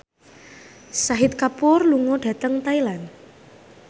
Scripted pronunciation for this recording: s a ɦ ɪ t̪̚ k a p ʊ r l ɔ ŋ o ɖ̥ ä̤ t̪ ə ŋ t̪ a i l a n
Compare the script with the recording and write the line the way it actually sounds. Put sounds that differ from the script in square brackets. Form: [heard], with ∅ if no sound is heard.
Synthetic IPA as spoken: s a ɦ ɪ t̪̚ k a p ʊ r l [u] ŋ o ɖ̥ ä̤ t̪ ə ŋ t̪ a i l a n